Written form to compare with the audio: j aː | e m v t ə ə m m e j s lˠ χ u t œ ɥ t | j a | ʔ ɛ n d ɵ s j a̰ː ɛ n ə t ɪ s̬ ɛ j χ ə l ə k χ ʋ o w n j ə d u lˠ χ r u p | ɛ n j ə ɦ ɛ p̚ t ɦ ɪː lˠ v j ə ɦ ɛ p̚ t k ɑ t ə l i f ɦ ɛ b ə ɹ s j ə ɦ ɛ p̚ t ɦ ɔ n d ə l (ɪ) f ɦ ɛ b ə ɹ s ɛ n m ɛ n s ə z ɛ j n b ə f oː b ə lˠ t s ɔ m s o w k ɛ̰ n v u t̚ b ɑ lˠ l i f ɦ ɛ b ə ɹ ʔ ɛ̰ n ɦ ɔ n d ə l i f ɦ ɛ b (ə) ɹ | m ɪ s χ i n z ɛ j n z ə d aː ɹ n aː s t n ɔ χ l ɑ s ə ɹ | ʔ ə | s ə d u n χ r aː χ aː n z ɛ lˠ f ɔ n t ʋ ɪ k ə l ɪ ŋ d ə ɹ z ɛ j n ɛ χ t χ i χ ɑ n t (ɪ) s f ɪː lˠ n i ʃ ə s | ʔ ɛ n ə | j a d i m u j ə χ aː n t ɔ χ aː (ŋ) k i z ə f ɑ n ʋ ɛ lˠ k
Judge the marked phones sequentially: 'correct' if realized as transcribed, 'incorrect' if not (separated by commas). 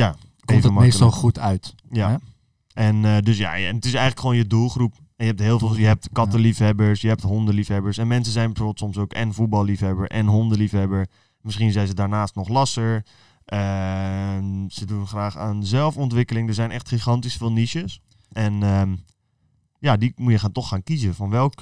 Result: incorrect, correct, incorrect, incorrect